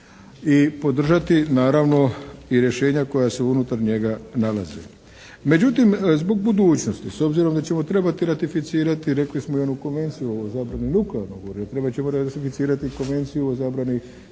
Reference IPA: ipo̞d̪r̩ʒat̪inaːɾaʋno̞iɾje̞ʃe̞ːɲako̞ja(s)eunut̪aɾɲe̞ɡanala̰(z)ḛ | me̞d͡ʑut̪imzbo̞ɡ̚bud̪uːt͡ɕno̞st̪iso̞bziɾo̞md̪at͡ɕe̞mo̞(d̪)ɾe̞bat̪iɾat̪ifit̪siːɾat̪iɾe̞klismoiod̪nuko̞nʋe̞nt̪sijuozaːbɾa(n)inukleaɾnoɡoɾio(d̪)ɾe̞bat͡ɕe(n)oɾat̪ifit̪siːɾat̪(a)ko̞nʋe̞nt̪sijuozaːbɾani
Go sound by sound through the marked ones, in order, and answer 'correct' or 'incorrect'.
correct, correct, incorrect, correct, incorrect, incorrect, incorrect

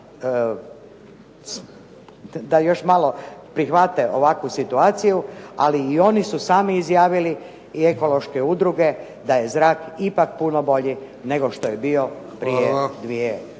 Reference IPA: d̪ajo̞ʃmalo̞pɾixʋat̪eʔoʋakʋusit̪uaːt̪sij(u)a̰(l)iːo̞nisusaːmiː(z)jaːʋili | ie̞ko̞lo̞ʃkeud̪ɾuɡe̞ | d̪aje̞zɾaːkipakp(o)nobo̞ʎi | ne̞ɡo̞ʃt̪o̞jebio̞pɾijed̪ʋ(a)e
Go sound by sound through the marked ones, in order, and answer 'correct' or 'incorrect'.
correct, correct, correct, incorrect, incorrect

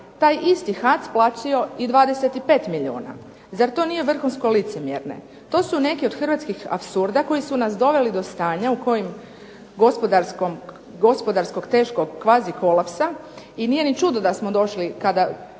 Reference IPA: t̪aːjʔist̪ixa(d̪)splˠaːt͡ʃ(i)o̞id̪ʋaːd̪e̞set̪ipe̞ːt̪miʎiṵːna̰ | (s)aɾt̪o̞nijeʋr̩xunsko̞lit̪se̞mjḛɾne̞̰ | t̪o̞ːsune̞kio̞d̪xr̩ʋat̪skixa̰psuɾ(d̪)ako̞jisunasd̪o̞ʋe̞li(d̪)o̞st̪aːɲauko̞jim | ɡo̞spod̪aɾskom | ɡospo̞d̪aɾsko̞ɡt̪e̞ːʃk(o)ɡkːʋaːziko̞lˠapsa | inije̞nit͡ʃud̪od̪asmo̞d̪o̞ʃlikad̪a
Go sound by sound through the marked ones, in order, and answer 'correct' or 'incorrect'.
incorrect, correct, incorrect, correct, correct, correct

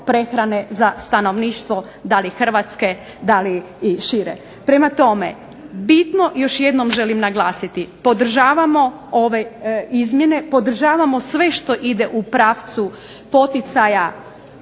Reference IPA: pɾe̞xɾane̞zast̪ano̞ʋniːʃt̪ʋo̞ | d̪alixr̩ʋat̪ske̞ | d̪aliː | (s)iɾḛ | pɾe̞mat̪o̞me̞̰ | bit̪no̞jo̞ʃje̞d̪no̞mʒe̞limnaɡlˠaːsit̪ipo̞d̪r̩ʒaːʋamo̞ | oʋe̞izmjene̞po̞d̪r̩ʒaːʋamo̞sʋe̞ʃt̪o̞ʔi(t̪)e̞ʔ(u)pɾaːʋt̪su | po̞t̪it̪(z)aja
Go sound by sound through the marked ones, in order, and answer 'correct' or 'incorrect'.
incorrect, incorrect, correct, incorrect

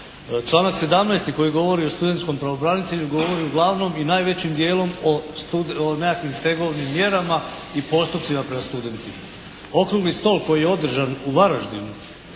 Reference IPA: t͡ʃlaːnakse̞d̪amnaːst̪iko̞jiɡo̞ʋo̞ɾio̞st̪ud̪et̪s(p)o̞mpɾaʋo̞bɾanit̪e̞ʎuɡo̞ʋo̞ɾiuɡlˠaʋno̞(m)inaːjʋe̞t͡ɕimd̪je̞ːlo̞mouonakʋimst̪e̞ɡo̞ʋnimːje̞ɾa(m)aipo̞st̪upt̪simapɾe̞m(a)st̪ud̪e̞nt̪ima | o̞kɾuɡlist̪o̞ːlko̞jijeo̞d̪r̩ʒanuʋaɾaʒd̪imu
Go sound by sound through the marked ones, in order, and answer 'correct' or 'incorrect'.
incorrect, correct, correct, correct

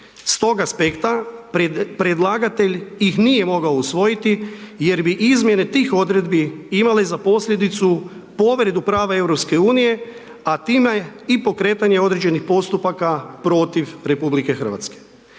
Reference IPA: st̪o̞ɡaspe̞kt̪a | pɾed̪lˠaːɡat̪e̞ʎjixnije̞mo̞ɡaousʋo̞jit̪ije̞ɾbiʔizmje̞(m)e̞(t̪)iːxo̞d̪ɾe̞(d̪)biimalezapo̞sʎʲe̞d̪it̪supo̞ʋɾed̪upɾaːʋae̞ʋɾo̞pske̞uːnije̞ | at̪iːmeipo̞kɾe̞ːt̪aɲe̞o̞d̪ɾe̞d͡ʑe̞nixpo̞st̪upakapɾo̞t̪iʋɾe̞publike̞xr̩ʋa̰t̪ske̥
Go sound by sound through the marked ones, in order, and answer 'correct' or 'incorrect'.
incorrect, correct, correct

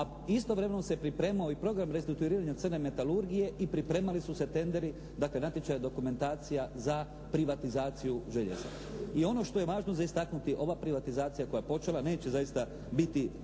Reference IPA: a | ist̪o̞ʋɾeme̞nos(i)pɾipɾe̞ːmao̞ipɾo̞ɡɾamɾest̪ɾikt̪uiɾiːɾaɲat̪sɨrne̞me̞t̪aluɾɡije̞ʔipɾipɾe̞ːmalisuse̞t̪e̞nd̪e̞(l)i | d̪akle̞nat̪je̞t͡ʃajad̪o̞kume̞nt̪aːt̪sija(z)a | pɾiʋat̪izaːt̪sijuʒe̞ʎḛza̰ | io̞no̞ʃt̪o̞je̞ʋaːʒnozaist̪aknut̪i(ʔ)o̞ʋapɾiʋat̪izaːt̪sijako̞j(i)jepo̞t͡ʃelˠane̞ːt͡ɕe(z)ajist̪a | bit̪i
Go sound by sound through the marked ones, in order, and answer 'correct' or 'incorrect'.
incorrect, incorrect, correct, correct, incorrect, correct

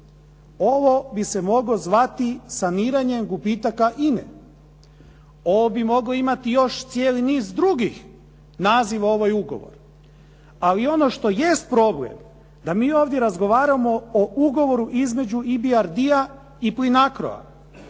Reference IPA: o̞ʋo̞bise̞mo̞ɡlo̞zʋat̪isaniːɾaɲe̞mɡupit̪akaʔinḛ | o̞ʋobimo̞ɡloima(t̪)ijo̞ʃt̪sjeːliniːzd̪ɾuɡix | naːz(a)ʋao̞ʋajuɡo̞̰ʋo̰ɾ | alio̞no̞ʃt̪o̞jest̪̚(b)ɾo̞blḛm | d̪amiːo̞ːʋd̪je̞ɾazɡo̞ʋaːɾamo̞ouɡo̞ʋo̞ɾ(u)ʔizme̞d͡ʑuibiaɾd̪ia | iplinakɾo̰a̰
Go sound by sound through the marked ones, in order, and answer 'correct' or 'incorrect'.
correct, incorrect, incorrect, correct

